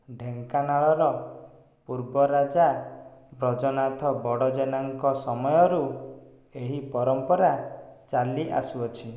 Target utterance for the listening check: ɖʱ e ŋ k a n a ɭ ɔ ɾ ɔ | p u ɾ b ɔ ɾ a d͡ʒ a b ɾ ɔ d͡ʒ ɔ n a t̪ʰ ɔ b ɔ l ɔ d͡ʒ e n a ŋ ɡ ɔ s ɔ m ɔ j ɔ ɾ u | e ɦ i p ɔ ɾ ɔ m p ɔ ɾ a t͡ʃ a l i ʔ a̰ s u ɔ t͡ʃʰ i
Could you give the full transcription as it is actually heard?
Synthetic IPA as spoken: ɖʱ e ŋ k a n a ɭ ɔ ɾ ɔ | p u ɾ b ɔ ɾ a d͡ʒ a b ɾ ɔ d͡ʒ ɔ n a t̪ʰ ɔ b ɔ ɽ ɔ d͡ʒ e n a ŋ k ɔ s ɔ m ɔ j ɔ ɾ u | e ɦ i p ɔ ɾ ɔ m p ɔ ɾ a t͡ʃ a l i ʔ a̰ s u ɔ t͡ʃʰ i

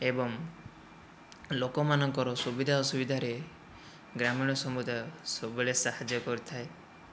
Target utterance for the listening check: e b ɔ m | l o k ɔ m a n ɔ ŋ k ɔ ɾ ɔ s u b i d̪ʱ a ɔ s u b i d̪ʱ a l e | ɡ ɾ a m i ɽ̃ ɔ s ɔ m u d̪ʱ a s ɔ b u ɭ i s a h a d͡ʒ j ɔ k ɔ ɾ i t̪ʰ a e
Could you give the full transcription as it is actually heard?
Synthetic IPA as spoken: e b ɔ ŋ | l o k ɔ m a n ɔ ŋ k ɔ ɾ ɔ s u b i d̪ʱ a ɔ s u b i d̪ʱ a ɾ e | ɡ ɾ a m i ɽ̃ ɔ s ɔ m u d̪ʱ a s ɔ b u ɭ e s a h a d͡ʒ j ɔ k ɔ ɾ i t̪ʰ a e

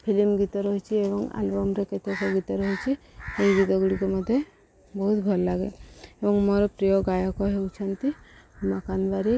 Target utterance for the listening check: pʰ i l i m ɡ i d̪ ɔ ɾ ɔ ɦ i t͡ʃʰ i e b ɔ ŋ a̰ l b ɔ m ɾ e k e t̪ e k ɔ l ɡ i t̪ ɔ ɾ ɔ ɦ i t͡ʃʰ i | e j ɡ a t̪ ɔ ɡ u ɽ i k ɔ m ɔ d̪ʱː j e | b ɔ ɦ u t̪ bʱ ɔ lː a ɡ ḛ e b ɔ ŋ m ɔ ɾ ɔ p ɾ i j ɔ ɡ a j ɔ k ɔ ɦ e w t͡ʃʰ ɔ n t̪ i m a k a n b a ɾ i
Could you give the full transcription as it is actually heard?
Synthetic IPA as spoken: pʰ i l i m ɡ i t̪ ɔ ɾ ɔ ɦ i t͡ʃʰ i e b ɔ ŋ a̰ l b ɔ m ɾ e k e t̪ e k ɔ ɡ i t̪ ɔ ɾ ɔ ɦ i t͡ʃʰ i | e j ɡ i t̪ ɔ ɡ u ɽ i k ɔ m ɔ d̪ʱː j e | b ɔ ɦ u t̪ bʱ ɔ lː a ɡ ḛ e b ɔ ŋ m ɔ ɾ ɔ p ɾ i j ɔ ɡ a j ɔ k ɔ ɦ e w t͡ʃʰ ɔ n t̪ i m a k a n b a ɾ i

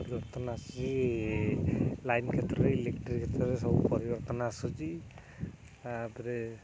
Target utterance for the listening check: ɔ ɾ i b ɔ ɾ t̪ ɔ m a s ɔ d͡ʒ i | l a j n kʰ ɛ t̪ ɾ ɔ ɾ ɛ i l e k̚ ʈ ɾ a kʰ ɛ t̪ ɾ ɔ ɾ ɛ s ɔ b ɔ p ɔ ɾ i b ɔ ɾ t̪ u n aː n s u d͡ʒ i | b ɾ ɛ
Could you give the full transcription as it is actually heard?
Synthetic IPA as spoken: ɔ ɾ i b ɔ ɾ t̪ ɔ n a s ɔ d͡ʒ i | l a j n kʰ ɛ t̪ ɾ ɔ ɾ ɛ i l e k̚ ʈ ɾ i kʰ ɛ t̪ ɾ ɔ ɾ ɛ s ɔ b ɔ p ɔ ɾ i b ɔ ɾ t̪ ɔ n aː s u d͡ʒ i | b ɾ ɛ

